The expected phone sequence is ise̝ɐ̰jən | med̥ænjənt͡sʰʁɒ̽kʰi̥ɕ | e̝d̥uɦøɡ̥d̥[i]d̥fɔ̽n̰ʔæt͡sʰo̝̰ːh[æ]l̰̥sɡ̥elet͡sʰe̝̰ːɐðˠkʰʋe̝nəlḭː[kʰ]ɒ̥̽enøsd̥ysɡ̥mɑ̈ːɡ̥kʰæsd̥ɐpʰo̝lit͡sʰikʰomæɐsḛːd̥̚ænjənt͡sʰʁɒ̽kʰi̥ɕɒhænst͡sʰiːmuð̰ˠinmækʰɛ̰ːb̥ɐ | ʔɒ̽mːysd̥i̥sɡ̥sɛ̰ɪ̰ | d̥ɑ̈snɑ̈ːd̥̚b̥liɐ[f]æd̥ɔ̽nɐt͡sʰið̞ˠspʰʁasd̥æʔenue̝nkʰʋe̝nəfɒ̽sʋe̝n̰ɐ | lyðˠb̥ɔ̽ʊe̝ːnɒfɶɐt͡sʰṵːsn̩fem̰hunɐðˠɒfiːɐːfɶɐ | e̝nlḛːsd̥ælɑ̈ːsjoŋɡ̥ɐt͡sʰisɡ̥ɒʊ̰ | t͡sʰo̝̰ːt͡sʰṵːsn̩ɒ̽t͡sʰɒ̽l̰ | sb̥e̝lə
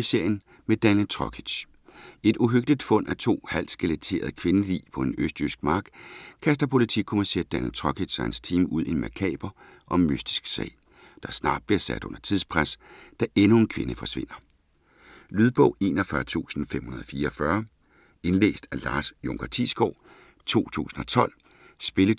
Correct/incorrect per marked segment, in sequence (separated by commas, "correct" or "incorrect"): correct, correct, incorrect, incorrect